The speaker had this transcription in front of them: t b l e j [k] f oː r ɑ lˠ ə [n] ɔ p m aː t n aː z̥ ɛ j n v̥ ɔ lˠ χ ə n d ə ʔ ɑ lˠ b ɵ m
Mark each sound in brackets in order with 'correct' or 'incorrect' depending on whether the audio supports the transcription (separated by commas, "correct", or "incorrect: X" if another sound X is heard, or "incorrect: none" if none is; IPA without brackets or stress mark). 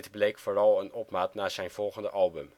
correct, correct